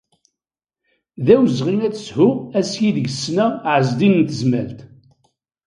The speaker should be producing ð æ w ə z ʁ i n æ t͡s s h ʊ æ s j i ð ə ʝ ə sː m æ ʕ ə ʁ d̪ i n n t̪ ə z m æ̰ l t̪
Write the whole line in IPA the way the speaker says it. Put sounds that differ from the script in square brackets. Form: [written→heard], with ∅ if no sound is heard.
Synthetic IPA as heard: ð æ w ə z ʁ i n æ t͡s s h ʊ æ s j i ð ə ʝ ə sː [m→n] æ ʕ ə [ʁ→z] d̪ i n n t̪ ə z m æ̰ l t̪

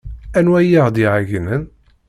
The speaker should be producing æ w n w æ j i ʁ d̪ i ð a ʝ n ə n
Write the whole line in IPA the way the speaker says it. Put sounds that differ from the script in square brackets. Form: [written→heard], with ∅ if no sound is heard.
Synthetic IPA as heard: æ [w→∅] n w æ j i ʁ d̪ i [ð→ʕ] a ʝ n ə n

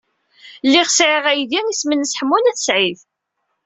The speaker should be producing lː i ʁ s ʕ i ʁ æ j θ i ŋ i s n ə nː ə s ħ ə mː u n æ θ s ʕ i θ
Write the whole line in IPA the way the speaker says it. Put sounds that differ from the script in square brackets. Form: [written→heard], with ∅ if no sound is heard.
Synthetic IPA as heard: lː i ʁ s ʕ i ʁ æ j [θ→ð] i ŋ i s [n→m] ə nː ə s ħ ə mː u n æ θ s ʕ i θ

